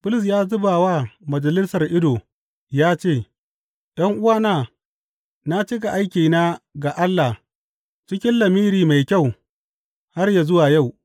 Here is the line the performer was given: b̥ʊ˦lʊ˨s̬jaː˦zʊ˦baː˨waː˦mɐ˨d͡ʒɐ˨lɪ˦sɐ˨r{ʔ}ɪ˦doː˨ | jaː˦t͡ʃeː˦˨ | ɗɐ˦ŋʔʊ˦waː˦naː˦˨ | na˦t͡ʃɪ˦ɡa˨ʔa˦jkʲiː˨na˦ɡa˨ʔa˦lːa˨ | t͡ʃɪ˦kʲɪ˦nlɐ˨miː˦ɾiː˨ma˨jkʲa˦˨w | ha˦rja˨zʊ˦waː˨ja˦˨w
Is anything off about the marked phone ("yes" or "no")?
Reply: no